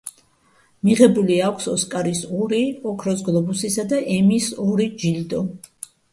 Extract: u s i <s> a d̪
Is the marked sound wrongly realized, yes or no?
no